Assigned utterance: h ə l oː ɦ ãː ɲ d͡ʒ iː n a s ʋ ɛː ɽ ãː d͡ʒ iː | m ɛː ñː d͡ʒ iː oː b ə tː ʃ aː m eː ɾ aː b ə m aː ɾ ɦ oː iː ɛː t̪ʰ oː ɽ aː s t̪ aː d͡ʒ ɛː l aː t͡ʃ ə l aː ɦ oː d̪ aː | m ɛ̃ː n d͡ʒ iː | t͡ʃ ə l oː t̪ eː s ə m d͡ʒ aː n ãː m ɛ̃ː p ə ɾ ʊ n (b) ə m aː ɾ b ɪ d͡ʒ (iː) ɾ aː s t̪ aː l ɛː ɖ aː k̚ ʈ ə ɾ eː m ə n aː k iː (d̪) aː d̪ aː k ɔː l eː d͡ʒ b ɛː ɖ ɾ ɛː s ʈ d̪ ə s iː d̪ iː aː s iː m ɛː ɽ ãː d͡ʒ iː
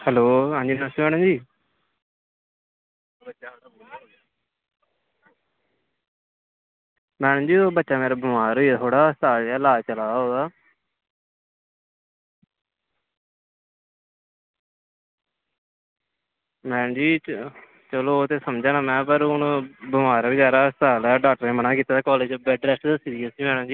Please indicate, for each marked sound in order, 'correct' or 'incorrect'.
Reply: correct, incorrect: aː, incorrect: t̪

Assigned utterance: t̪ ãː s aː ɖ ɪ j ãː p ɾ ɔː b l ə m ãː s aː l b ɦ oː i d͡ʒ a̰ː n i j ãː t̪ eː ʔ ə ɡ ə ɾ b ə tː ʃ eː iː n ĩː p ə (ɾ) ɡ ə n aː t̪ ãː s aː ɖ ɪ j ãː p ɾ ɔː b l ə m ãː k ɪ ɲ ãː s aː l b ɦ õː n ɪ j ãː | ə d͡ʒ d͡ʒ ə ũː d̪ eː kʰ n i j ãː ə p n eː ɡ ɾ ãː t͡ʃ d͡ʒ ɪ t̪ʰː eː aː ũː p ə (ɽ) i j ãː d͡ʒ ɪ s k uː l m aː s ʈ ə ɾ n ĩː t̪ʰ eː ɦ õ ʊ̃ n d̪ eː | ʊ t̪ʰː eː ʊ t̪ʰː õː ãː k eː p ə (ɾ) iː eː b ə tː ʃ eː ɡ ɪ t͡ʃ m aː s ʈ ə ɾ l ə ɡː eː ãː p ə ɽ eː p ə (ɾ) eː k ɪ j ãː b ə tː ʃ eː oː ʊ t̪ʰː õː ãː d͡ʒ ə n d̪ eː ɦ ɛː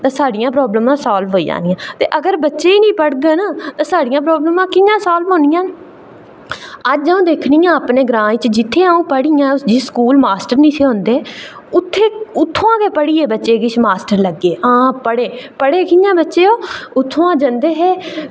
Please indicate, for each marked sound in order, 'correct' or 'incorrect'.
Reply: incorrect: ɽ, correct, incorrect: ɽ, incorrect: ɽ

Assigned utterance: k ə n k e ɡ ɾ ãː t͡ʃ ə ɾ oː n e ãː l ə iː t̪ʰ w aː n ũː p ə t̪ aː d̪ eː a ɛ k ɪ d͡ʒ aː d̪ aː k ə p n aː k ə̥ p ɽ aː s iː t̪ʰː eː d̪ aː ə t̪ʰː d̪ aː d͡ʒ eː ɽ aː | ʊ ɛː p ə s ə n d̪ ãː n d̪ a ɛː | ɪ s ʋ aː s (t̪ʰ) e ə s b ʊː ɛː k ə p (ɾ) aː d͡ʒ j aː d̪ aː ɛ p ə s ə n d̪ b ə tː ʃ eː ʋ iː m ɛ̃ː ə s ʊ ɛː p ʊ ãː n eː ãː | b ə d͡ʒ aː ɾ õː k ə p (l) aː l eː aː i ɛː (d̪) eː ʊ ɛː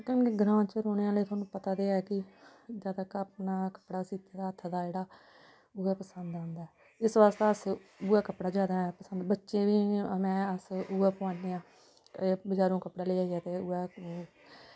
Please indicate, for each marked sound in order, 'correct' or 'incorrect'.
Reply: incorrect: t̪, incorrect: ɽ, incorrect: ɽ, incorrect: t̪

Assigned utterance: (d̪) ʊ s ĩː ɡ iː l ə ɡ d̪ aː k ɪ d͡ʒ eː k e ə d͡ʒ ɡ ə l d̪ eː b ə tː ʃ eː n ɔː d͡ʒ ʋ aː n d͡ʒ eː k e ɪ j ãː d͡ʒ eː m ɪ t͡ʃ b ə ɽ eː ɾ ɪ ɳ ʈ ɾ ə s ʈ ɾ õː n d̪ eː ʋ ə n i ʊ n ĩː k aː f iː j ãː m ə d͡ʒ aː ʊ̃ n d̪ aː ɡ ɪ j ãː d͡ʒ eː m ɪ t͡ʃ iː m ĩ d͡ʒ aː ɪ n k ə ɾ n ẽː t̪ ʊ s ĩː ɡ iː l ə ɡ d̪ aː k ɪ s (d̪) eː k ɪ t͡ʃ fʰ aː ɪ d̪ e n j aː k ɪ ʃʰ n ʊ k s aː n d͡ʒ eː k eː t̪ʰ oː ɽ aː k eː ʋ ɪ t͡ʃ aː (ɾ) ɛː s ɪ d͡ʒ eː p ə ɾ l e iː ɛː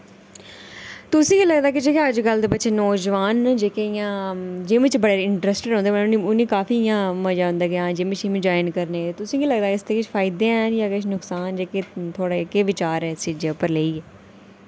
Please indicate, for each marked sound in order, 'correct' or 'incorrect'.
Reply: incorrect: t̪, incorrect: t̪, correct

